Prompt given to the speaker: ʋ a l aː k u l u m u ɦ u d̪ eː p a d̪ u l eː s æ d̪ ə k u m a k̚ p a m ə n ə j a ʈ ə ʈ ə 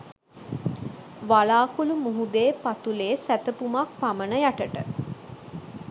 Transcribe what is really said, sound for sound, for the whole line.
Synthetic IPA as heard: ʋ a l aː k u l u m u ɦ u d̪ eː p a t̪ u l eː s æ t̪ ə p u m a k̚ p a m ə n ə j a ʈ ə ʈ ə

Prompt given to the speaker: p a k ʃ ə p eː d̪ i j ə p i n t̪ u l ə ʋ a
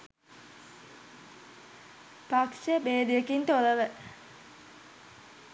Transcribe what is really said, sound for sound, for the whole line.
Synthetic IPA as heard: p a k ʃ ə b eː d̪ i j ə k i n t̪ o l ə ʋ ə

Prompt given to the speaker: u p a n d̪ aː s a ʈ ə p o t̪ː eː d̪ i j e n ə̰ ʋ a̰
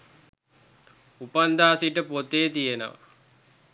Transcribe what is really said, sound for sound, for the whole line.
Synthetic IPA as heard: u p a n d̪ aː s i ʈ ə p o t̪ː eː t̪ i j e n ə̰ ʋ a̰

